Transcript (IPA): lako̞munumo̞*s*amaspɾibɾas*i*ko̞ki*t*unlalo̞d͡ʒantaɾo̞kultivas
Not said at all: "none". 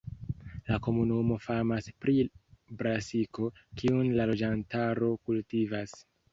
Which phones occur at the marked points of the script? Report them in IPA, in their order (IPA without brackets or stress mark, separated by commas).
f, i, none